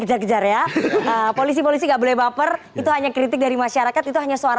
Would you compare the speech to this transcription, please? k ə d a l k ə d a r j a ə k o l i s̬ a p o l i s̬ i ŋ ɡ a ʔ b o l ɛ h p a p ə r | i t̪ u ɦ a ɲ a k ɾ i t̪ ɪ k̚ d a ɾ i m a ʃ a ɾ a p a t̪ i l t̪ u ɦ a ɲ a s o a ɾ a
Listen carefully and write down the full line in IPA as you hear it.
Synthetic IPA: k ə d͡ʒ a r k ə d͡ʒ a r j a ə p o l i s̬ i p o l i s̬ i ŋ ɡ a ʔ b o l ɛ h b a p ə r | i t̪ u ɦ a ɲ a k ɾ i t̪ ɪ k̚ d a ɾ i m a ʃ a ɾ a k a t̪ i t̪ u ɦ a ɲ a s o a ɾ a